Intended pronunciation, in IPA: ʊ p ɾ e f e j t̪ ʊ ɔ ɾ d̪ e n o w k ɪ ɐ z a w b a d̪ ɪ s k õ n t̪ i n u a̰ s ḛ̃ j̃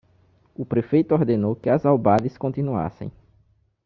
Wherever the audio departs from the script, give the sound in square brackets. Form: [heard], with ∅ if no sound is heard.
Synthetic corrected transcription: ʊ p ɾ e f e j t̪ ʊ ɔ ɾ d̪ e n o w k ɪ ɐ z a w b a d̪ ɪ s k õ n t̪ i n u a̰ s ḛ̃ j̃